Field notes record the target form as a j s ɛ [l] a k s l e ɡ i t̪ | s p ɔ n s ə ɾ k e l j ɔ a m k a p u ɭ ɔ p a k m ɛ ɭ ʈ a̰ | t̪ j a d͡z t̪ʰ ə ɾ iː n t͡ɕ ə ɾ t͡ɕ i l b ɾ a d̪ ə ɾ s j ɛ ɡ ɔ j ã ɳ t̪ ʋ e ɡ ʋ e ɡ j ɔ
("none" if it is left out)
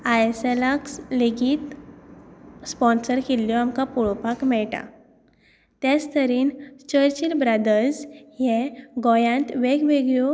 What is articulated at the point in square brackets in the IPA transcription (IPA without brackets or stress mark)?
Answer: l